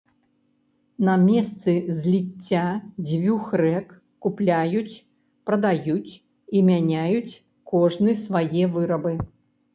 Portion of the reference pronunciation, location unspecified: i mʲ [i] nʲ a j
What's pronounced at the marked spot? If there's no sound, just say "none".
a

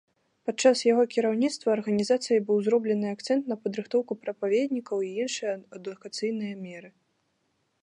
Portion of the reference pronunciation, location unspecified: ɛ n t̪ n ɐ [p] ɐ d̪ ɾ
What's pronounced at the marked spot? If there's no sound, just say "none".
p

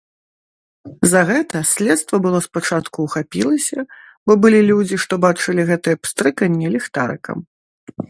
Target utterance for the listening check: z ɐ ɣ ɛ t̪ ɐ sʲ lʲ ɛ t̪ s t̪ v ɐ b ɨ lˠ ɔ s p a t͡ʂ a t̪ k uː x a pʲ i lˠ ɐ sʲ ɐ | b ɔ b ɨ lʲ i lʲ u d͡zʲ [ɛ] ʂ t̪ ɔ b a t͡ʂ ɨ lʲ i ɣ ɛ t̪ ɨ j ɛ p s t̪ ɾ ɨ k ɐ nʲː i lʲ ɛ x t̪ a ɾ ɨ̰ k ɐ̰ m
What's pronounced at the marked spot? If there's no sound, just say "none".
i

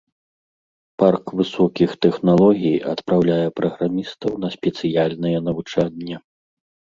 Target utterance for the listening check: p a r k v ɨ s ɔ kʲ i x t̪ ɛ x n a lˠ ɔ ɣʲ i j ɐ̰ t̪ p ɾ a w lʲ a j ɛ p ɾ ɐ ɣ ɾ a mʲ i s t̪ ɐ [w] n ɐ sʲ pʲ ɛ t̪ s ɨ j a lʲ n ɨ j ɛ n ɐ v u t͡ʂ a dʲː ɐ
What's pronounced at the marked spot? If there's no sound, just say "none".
w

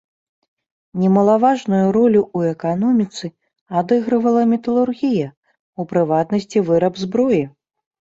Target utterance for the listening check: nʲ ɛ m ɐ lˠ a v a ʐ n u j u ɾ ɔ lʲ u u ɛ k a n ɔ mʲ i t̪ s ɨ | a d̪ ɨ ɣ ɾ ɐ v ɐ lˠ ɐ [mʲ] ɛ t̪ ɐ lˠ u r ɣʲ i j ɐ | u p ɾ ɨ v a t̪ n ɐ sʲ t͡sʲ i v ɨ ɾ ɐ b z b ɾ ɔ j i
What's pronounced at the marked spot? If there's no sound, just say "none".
mʲ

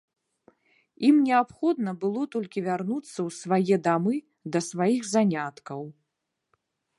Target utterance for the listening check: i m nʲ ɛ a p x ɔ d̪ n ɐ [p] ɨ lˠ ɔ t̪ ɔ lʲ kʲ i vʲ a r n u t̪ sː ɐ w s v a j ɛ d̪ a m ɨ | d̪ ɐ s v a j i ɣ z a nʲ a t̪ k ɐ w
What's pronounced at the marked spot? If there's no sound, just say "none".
b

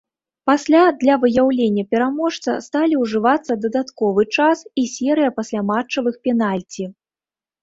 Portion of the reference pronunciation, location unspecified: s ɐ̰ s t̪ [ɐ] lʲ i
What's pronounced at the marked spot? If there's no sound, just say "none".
a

